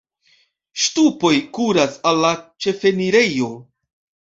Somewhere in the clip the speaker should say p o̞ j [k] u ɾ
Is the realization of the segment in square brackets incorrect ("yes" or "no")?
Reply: no